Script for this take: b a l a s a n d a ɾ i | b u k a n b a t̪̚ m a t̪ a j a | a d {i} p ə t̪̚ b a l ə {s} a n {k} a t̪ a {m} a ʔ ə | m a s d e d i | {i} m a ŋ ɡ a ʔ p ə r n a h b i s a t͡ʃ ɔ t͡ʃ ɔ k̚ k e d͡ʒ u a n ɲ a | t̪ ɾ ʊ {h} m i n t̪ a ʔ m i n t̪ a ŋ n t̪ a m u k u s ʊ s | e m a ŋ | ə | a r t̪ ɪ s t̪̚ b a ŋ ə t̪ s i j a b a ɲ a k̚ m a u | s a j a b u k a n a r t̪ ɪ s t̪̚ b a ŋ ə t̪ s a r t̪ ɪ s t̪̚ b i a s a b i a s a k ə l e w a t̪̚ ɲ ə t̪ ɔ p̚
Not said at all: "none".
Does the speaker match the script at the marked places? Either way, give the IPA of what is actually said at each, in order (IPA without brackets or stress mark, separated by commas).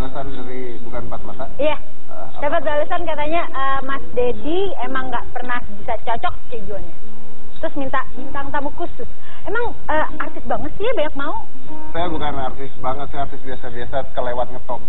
a, s, k, ɲ, e, s